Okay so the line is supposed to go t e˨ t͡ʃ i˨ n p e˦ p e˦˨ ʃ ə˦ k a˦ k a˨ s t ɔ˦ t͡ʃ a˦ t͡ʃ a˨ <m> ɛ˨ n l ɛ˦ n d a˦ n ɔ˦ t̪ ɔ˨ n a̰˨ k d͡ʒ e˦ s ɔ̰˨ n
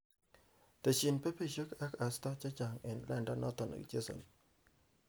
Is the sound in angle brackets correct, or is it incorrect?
incorrect: ŋ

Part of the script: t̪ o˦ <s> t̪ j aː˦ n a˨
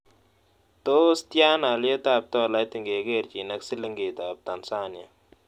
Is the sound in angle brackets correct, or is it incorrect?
correct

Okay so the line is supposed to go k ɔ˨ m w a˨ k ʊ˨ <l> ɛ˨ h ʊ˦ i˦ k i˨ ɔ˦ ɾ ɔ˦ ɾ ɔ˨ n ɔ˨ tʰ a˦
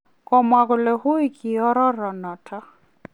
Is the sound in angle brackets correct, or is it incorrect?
correct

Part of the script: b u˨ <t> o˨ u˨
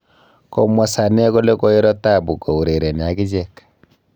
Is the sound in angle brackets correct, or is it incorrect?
incorrect: k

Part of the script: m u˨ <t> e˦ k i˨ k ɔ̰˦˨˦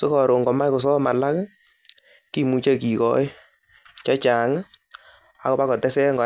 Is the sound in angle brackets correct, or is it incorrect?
incorrect: t͡ʃ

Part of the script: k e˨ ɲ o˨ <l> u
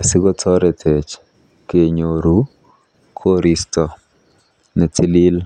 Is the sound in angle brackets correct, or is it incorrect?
incorrect: ɾ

